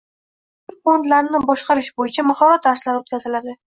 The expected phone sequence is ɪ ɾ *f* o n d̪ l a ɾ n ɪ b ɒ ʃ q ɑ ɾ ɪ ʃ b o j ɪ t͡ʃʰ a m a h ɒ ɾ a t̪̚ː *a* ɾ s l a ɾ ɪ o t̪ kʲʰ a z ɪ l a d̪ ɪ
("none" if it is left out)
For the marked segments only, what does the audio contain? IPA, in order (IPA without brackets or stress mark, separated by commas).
f, a